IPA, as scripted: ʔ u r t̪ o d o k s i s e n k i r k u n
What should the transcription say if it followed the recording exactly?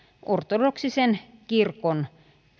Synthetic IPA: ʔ o r t̪ o d o k s i s e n k i r k o n